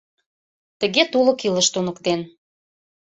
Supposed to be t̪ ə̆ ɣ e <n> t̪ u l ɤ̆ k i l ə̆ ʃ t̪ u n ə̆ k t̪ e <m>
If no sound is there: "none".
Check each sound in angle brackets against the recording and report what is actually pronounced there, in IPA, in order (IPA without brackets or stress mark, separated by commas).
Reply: none, n